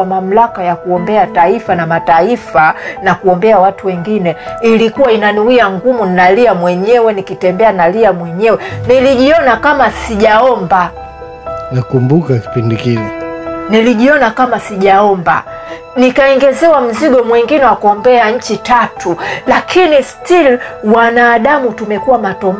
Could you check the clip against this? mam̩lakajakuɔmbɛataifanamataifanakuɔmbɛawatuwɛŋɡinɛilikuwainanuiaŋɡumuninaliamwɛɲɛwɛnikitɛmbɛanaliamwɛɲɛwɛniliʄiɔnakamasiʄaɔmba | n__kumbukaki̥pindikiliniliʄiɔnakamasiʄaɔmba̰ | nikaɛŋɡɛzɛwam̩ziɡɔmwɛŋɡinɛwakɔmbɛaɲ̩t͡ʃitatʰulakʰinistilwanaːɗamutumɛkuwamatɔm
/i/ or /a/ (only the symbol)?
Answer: a